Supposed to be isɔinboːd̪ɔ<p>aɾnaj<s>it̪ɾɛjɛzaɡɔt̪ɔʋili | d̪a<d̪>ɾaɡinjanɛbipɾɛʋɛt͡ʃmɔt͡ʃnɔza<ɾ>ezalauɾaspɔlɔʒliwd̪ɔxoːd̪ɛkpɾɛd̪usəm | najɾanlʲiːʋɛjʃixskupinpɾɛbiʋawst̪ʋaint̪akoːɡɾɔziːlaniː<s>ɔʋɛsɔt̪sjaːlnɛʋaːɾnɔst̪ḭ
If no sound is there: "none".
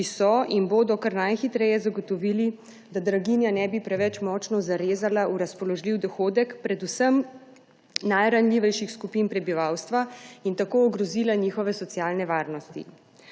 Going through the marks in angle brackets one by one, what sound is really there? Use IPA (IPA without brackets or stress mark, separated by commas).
k, x, d̪, ɾ, x